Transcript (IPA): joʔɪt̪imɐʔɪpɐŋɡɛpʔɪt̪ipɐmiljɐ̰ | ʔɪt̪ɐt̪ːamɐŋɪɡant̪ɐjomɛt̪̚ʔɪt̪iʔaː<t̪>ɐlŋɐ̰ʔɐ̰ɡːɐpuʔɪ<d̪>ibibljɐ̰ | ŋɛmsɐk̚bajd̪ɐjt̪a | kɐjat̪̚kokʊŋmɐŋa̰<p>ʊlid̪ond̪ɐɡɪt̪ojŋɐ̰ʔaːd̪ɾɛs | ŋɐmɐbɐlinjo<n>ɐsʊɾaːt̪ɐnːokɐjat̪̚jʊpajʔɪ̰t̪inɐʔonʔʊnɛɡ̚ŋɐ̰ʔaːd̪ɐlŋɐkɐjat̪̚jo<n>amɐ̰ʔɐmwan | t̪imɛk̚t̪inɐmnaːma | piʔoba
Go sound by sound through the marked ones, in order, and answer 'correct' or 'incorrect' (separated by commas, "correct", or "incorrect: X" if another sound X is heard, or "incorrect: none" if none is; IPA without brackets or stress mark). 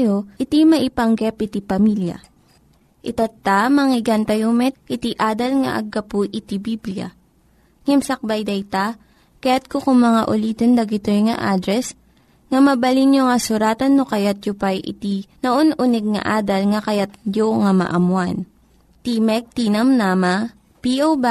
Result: incorrect: d̪, incorrect: t̪, incorrect: ʔ, incorrect: ŋ, incorrect: ŋ